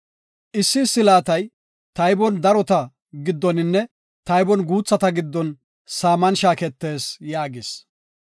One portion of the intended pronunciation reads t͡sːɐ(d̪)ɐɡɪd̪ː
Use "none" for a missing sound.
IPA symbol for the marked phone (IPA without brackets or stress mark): t̪